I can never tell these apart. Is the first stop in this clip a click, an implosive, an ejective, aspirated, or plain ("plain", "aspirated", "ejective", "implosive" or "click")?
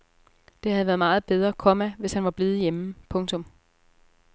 plain